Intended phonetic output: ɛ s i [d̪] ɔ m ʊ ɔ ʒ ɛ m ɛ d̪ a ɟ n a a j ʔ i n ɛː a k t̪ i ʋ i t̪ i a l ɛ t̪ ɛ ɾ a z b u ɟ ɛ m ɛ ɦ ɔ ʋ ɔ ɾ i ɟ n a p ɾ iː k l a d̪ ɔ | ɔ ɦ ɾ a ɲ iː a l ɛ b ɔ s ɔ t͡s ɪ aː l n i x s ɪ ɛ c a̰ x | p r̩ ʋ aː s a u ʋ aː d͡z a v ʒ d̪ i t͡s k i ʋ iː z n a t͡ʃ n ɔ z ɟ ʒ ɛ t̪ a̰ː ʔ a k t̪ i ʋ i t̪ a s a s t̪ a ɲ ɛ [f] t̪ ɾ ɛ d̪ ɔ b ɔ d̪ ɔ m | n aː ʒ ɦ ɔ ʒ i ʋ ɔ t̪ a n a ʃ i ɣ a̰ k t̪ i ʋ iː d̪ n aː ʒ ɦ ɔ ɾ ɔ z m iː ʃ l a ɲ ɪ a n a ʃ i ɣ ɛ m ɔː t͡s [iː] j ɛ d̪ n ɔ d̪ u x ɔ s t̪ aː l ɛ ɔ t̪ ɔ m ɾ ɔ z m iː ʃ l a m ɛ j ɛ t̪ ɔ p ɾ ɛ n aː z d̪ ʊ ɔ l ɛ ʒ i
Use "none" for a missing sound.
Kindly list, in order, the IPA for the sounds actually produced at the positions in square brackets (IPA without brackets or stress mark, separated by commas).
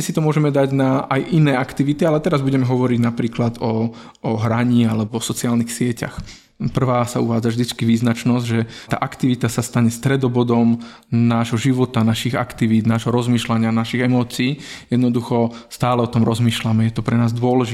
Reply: t̪, s, iː